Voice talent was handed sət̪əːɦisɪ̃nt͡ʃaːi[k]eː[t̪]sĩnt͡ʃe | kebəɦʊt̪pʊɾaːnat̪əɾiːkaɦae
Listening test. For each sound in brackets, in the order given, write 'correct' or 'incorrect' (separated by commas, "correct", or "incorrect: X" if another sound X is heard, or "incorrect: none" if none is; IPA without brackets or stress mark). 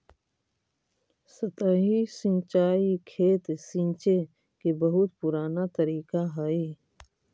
incorrect: kʰ, correct